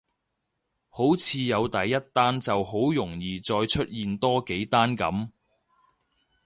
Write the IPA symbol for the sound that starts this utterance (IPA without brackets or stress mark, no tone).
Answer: h